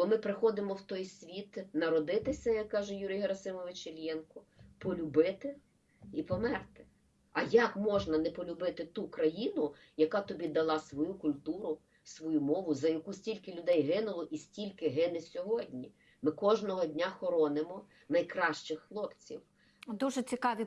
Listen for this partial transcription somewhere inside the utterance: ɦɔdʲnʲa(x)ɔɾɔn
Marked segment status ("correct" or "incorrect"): correct